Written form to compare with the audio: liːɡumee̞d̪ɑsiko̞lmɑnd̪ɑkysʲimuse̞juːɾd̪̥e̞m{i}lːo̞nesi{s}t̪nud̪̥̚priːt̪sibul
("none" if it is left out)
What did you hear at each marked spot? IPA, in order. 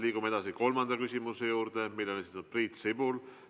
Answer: i, none

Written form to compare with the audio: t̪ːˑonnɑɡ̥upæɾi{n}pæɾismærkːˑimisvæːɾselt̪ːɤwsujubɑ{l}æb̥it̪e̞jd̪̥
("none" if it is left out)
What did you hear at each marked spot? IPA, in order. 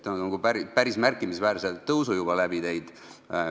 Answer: none, l

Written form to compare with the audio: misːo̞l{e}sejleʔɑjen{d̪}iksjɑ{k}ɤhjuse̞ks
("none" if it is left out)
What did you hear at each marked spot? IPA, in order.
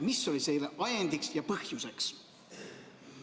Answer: i, d̪, p

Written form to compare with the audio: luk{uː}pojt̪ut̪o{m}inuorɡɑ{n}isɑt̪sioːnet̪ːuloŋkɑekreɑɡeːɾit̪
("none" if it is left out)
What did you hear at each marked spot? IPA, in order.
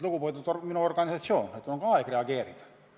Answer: u, m, n

